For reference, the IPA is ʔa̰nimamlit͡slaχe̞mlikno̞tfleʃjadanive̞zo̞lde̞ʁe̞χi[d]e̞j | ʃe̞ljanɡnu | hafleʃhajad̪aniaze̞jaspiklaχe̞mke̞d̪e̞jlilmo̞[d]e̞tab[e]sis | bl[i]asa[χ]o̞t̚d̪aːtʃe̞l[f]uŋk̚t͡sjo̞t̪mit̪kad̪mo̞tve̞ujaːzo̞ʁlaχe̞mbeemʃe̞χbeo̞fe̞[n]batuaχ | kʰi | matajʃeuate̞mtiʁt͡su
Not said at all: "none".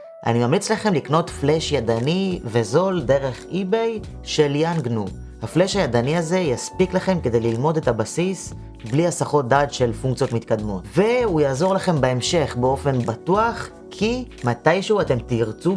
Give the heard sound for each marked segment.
b, d, a, i, χ, f, n

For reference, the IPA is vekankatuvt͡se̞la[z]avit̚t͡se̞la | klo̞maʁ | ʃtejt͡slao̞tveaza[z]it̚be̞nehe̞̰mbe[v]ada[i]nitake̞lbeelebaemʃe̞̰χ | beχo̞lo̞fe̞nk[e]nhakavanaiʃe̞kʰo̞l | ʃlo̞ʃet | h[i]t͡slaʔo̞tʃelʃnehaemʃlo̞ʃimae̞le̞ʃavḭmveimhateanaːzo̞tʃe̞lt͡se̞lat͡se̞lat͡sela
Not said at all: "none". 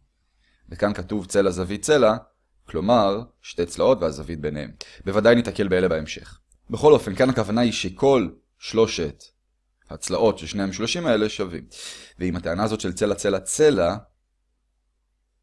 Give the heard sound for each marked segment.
z, v, v, j, a, a

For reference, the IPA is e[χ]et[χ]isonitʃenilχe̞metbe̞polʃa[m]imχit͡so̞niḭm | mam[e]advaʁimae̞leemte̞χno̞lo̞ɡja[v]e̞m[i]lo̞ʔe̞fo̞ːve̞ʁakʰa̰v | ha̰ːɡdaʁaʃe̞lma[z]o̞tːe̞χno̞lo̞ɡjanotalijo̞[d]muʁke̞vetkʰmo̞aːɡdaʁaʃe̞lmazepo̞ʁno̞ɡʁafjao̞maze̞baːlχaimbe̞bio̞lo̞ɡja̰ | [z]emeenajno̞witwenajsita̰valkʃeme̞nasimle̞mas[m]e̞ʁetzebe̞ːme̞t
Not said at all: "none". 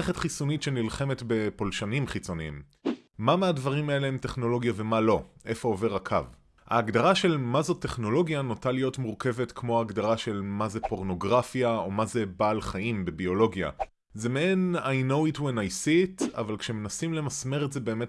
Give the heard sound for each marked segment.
χ, χ, n, e, v, a, z, t, z, m

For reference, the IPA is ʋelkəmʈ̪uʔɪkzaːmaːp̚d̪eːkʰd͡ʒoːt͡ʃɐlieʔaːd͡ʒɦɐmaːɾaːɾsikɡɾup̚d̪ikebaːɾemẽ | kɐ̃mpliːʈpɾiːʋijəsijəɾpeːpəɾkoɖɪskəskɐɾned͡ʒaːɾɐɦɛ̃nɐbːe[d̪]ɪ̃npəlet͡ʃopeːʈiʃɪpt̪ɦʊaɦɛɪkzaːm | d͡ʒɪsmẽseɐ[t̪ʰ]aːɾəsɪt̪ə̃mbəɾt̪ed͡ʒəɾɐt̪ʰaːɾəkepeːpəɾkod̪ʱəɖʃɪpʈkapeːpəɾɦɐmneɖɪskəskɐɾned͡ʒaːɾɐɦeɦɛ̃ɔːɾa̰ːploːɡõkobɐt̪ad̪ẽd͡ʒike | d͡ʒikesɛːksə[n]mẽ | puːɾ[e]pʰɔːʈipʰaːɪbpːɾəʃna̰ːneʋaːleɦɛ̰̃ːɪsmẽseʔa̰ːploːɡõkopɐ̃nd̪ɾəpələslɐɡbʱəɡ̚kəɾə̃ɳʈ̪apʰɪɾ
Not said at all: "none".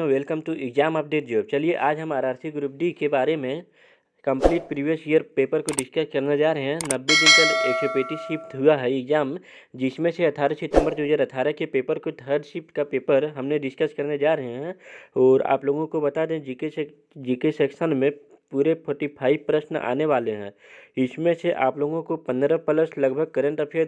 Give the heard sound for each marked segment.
d̪, t̪ʰ, n, e

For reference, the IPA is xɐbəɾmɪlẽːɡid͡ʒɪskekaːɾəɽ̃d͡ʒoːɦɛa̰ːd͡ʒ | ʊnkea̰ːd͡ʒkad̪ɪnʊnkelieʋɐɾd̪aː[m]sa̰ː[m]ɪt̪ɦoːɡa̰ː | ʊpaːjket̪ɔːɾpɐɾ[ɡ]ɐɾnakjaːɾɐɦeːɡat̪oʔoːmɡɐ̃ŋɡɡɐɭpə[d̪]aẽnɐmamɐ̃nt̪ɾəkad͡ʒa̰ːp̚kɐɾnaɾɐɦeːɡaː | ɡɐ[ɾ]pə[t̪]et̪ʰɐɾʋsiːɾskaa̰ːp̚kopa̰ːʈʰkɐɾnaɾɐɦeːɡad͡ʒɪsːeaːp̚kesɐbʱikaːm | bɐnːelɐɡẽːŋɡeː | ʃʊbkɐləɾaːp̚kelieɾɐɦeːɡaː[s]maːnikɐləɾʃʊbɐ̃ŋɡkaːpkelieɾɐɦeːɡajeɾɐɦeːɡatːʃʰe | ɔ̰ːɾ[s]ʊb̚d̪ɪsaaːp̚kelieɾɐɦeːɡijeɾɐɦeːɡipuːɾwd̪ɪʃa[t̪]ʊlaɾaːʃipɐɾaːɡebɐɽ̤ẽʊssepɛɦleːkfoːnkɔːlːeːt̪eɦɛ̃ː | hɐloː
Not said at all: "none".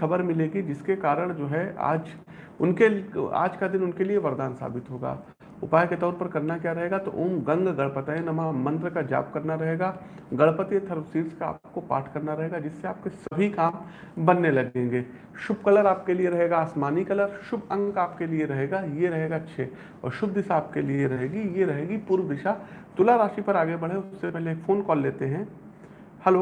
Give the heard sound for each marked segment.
n, b, k, t̪, ɭ, t̪, s, ʃ, t̪

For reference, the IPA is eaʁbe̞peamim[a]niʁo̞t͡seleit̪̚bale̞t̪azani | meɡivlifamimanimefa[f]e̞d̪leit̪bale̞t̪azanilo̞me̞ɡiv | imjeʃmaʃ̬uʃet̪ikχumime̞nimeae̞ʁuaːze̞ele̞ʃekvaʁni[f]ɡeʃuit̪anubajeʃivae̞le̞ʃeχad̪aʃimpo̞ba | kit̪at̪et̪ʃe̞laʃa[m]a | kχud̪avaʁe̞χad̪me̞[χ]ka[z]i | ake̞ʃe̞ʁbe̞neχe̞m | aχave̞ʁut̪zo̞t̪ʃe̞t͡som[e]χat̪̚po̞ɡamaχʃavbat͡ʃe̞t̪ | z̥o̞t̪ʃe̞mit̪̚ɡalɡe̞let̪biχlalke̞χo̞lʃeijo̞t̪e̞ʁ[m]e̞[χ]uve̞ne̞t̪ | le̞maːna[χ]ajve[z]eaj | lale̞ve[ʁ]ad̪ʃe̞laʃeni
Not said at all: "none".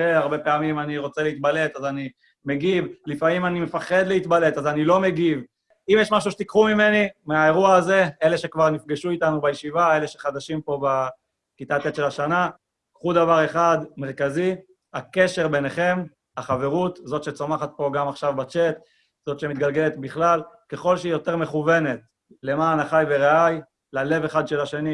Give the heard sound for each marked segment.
a, χ, f, n, ʁ, z, a, m, χ, χ, ʁ, χ

